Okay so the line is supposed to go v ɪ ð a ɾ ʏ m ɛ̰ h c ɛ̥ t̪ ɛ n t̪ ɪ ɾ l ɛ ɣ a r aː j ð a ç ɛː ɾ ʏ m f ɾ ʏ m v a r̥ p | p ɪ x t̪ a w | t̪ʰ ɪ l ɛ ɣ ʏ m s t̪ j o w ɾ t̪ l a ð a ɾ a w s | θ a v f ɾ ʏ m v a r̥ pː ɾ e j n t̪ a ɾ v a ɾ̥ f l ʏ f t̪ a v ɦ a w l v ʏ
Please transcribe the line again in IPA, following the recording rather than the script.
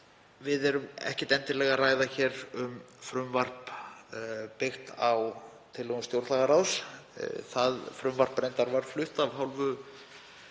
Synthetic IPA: v ɪ ð ɛ ɾ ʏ m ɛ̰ h c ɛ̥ t̪ ɛ n t̪ ɪ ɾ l ɛ ɣ a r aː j ð a ç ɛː ɾ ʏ m f ɾ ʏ m v a r̥ p | p ɪ x t̪ a w | t̪ʰ ɪ l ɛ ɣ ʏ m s t̪ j o w ɾ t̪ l a ɣ a ɾ a w s | θ a ð f ɾ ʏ m v a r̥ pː ɾ e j n t̪ a ɾ v a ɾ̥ f l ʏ h t̪ a v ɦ a w l v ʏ